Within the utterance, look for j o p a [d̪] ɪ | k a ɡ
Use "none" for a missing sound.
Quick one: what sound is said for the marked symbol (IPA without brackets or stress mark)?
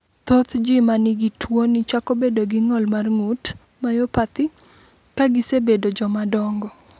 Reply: t̪